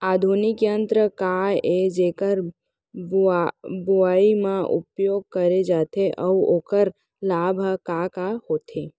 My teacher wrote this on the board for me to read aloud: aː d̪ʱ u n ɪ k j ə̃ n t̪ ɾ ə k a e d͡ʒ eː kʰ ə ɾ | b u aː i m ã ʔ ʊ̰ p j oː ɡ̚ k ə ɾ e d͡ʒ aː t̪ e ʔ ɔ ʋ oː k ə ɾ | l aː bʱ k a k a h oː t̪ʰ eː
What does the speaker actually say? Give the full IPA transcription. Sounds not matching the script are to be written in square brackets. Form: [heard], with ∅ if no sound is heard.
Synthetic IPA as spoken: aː d̪ʱ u n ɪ k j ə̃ n t̪ ɾ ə k a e d͡ʒ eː [k] ə ɾ | b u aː i m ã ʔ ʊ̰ p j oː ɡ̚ k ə ɾ e d͡ʒ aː t̪ e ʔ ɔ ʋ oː k ə ɾ | l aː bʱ k a k a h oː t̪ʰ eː

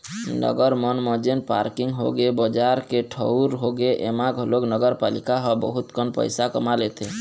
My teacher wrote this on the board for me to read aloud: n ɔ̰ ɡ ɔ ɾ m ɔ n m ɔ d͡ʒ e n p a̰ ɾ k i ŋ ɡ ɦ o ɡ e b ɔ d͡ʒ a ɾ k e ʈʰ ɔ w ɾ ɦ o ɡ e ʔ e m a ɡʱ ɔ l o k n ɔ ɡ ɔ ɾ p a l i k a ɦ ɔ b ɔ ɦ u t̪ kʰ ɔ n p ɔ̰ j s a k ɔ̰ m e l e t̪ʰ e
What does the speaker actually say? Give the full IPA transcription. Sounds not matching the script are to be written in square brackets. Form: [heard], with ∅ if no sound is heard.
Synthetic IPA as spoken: n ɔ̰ ɡ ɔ ɾ m ɔ n m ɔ d͡ʒ e n p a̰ ɾ k i ŋ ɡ ɦ o ɡ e b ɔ d͡ʒ a ɾ k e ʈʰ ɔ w ɾ ɦ o ɡ e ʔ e m a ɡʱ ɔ l o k n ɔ ɡ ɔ ɾ p a l i k a ɦ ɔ b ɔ ɦ u t̪ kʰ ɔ n p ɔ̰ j s a k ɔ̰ m [a] l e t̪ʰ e

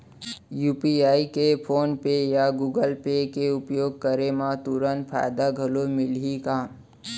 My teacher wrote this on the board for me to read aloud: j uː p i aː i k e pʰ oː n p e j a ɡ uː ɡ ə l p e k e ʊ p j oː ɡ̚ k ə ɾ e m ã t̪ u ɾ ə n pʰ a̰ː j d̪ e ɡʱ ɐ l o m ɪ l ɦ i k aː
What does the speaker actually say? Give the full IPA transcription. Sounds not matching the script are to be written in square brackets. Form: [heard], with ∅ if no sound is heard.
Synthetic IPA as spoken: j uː p i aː i k e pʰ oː n p e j a ɡ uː ɡ ə l p e k e ʊ p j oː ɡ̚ k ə ɾ e m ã t̪ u ɾ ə n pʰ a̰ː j d̪ [a] ɡʱ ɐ l o m ɪ l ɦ i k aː

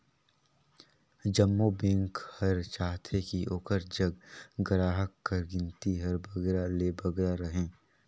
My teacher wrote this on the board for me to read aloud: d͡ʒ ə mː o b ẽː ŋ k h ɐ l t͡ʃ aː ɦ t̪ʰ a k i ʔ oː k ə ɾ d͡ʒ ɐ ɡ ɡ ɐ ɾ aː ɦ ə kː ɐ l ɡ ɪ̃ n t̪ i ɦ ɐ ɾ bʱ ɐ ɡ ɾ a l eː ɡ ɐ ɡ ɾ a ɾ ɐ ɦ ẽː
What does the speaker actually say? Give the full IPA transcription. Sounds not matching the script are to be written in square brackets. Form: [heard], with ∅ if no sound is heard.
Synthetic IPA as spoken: d͡ʒ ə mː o b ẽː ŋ k h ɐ [ɾ] t͡ʃ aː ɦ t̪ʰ [e] k i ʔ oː k ə ɾ d͡ʒ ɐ ɡ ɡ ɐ ɾ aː ɦ ə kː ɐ [ɾ] ɡ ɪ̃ n t̪ i ɦ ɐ ɾ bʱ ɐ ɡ ɾ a l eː [b] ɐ ɡ ɾ a ɾ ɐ ɦ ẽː

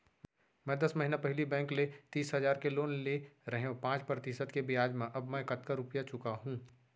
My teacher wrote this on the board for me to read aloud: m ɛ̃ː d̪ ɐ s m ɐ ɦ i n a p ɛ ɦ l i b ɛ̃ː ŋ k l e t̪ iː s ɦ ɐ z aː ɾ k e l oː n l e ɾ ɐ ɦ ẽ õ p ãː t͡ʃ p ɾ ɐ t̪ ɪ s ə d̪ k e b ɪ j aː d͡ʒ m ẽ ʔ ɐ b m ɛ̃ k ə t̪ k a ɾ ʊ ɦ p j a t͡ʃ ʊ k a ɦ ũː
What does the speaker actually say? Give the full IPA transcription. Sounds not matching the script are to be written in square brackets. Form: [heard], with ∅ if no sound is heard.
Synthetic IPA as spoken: m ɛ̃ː d̪ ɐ s m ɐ ɦ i n a p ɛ ɦ l i b ɛ̃ː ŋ k l e t̪ iː s ɦ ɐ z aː ɾ k e l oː n l e ɾ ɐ ɦ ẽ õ p ãː t͡ʃ p ɾ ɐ t̪ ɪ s ə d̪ k e b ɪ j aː d͡ʒ m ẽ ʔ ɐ b m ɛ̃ k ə t̪ k a ɾ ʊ [∅] p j a t͡ʃ ʊ k a ɦ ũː

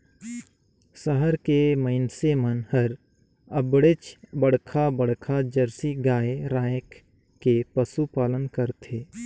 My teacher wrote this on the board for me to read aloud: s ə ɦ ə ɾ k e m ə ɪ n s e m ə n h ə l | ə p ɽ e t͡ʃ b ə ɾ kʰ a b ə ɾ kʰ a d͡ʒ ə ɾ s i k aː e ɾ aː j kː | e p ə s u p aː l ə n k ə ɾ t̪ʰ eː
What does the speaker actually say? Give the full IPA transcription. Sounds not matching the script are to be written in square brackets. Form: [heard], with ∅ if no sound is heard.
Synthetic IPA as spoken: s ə ɦ ə ɾ k e m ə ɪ n s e m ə n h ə [ɾ] | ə [b] ɽ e t͡ʃ b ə [ɽ] kʰ a b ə [ɽ] kʰ a d͡ʒ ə ɾ s i [ɡ] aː e ɾ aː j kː | e p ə s u p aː l ə n k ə ɾ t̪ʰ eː

